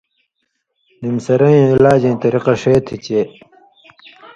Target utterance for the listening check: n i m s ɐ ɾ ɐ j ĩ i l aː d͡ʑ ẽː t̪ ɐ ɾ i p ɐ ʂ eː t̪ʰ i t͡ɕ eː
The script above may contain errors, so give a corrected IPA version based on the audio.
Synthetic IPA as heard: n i m s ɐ ɾ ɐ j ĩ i l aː d͡ʑ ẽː t̪ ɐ ɾ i q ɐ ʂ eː t̪ʰ i t͡ɕ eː